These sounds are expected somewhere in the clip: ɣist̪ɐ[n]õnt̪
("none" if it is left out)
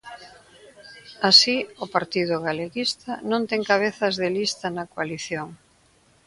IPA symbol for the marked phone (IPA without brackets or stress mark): n